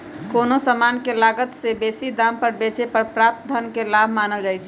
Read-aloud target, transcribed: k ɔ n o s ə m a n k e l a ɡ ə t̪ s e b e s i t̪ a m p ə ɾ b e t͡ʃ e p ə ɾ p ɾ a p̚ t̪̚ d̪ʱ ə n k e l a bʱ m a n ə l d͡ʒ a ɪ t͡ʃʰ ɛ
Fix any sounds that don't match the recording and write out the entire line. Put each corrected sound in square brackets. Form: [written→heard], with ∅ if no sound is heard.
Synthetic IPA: k [ɔ→o] n o s ə m a n k e l a ɡ ə t̪ s e b e s i [t̪→d̪] a m p ə ɾ b e t͡ʃ e p ə ɾ p ɾ a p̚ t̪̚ d̪ʱ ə n k e l a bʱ m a n ə l d͡ʒ a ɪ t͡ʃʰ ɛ